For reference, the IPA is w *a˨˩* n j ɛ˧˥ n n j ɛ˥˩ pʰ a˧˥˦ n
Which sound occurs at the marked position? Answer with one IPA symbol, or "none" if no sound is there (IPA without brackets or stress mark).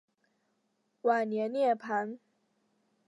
a˨˩